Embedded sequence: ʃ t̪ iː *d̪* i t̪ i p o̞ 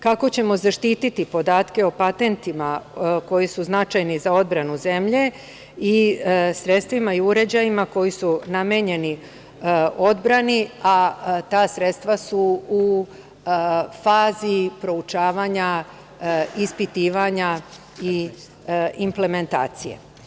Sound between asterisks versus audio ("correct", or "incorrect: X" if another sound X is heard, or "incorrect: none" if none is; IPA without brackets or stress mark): incorrect: t̪